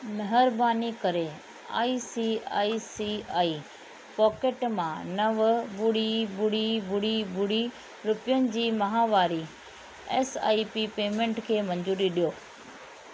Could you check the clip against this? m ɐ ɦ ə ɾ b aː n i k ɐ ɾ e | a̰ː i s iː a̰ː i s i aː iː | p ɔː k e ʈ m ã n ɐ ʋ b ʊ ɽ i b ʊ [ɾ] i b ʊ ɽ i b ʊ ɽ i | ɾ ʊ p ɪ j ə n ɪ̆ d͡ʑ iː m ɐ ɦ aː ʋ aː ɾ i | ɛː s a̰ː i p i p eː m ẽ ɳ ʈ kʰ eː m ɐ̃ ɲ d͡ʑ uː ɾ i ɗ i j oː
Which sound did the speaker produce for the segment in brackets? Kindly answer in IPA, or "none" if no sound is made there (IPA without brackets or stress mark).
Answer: ɽ